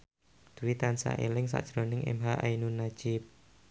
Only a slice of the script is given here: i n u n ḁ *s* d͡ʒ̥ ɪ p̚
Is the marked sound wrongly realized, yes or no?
yes